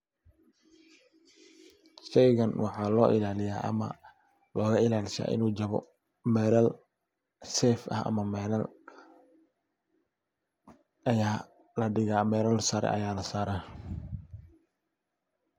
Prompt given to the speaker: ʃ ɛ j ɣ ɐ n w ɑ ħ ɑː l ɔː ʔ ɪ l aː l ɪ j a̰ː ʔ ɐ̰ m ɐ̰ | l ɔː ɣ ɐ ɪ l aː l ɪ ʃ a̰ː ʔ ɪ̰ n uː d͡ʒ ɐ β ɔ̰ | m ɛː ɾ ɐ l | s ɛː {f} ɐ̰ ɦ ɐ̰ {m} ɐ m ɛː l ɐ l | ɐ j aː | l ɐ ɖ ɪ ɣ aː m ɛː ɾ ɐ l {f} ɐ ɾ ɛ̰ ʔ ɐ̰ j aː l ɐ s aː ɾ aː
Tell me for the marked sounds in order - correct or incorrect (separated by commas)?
correct, correct, incorrect